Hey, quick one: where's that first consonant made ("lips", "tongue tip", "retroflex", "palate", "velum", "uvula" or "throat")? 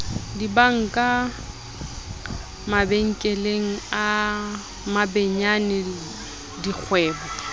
tongue tip